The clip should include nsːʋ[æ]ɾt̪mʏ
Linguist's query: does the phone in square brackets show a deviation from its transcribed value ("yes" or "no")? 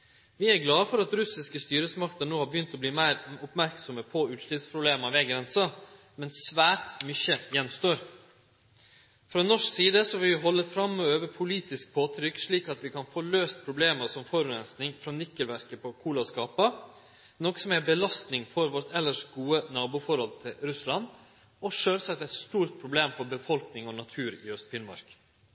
yes